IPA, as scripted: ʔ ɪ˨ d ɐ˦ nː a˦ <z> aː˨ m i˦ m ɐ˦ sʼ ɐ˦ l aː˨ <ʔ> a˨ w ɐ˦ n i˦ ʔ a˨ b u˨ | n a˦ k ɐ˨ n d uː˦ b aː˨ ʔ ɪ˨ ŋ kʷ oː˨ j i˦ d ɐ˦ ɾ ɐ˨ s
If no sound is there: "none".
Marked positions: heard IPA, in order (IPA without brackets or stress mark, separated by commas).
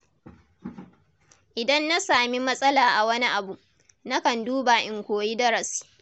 s, ʔ